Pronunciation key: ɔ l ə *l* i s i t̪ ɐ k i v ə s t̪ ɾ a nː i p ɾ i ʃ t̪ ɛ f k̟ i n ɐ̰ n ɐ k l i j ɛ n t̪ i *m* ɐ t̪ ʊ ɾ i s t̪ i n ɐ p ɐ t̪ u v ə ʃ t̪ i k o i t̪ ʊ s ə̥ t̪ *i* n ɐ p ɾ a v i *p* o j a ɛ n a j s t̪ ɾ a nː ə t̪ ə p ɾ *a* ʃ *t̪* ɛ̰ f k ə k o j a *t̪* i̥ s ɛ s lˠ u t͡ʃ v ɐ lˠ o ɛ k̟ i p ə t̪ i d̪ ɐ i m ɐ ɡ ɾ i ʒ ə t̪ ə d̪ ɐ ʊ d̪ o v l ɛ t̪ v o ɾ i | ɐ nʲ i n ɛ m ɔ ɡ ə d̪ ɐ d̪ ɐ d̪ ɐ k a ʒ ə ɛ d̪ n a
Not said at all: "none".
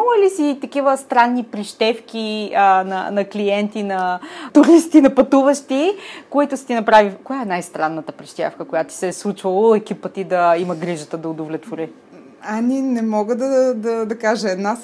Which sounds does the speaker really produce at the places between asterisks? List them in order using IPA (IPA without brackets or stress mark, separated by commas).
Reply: l, n, i, k, i, t̪, t̪